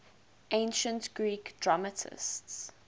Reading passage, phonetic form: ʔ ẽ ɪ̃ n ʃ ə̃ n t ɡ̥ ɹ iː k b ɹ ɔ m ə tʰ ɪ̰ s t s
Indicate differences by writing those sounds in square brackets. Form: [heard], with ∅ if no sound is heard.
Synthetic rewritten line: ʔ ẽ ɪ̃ n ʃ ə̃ n t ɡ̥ ɹ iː k [d] ɹ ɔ m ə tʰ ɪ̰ s t s